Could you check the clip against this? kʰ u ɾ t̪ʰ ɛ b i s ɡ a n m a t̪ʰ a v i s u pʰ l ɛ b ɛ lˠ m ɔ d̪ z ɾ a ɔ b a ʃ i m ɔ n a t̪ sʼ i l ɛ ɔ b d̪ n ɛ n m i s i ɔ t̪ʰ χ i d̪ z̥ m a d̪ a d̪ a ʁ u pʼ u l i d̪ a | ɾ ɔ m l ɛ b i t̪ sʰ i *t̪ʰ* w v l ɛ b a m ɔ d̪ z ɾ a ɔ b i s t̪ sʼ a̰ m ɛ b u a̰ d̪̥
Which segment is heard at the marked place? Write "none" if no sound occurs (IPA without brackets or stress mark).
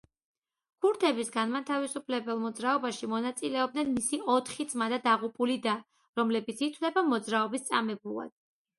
t̪ʰ